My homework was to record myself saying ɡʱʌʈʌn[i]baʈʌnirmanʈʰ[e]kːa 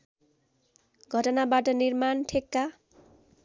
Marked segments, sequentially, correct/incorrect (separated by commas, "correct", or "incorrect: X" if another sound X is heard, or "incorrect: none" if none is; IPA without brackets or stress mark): incorrect: a, correct